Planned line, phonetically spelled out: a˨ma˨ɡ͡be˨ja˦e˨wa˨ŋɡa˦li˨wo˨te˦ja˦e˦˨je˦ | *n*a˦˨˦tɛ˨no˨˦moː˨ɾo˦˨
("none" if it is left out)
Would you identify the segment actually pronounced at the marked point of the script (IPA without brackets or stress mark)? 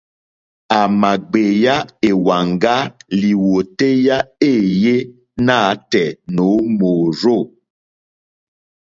n